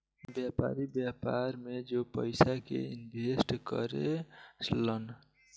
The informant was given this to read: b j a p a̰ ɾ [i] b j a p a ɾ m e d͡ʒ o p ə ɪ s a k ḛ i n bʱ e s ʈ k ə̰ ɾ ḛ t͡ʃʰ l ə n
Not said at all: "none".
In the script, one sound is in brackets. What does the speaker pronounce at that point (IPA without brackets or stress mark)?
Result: i